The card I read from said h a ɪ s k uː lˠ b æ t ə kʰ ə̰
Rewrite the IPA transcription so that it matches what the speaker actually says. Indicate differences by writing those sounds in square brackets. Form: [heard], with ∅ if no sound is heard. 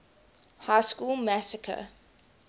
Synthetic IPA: h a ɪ s k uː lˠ [m] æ [s] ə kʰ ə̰